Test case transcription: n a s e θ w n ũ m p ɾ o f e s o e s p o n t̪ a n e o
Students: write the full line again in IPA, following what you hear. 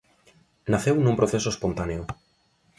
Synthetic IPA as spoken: n a θ e w n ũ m p ɾ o θ e s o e s p o n t̪ a n e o